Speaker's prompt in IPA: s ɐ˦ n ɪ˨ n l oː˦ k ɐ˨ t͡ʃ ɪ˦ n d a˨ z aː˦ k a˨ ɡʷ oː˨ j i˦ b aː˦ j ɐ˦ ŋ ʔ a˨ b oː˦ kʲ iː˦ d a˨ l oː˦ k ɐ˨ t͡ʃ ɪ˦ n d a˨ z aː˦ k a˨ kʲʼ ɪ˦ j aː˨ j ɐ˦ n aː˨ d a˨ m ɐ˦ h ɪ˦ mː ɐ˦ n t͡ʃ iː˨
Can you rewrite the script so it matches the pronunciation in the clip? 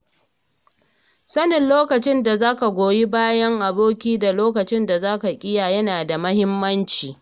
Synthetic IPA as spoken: s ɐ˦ n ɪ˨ n l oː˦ k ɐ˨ t͡ʃ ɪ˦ n d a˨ z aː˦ k a˨ ɡʷ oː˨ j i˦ b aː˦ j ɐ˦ ŋ ʔ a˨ b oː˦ kʲ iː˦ d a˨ l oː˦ k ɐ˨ t͡ʃ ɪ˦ n d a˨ z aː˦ k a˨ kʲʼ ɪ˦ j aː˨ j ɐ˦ n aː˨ d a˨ m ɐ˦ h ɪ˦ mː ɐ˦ n t͡ʃ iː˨